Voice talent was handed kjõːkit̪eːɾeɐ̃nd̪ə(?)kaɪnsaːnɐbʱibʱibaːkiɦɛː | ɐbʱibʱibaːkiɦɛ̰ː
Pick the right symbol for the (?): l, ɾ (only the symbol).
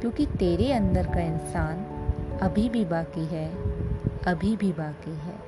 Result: ɾ